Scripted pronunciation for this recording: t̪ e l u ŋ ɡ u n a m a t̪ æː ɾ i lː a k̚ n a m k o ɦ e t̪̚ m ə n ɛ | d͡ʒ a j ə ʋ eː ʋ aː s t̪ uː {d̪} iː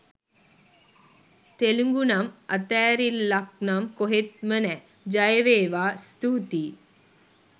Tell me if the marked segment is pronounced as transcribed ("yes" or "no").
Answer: no